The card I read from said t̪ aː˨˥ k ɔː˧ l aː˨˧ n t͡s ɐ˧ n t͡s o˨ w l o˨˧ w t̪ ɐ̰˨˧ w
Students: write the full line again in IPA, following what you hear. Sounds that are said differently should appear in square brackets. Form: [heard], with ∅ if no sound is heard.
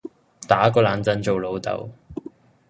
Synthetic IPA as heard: t̪ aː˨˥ k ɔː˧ l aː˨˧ n t͡s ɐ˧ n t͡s o˨ w l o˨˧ w t̪ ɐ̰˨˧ w